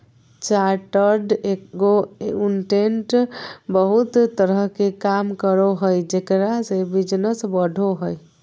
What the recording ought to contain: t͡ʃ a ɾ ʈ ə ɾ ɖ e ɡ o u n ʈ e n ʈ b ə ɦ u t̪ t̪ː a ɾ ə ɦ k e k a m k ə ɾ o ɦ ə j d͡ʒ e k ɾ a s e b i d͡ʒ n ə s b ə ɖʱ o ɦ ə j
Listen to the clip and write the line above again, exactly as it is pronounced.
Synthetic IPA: t͡ʃ a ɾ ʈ ə ɾ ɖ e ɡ o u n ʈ e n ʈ b ə ɦ u t̪ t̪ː ə ɾ ə ɦ k e k a m k ə ɾ o ɦ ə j d͡ʒ e k ɾ a s e b i d͡ʒ n ə s b ə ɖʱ o ɦ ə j